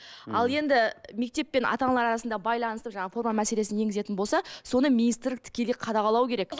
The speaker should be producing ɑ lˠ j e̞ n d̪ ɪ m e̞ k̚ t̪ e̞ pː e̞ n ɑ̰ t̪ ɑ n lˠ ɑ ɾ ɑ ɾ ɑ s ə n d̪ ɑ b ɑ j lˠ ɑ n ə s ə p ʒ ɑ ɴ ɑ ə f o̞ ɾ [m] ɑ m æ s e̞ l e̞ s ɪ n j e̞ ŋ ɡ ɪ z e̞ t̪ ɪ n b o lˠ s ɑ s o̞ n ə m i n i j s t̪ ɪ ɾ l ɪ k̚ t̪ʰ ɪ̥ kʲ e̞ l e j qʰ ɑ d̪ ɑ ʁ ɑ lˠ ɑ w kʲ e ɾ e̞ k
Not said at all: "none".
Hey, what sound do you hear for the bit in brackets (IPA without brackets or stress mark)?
m